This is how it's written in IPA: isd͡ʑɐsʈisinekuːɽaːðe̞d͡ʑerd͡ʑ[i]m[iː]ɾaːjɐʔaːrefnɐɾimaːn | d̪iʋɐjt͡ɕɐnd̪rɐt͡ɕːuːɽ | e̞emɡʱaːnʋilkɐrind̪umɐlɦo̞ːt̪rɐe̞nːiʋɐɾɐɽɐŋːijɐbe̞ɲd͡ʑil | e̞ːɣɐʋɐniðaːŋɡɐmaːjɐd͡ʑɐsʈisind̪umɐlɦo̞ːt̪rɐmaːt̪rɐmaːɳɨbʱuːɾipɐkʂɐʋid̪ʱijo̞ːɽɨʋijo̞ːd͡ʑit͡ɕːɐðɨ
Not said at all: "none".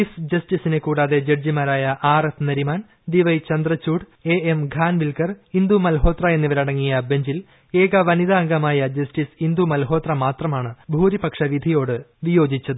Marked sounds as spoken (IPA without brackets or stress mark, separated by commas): i, aː